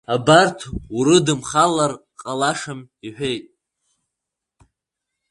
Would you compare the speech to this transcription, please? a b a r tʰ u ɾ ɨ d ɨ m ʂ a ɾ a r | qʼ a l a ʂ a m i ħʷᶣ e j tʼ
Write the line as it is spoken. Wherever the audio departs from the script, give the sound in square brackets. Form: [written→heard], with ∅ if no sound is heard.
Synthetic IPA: a b a r tʰ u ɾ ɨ d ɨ m [ʂ→χ] a [ɾ→l] a r | qʼ a l a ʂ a m i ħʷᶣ e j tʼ